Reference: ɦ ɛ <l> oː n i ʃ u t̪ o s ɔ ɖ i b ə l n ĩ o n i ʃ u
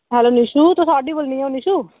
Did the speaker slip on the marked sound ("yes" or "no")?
no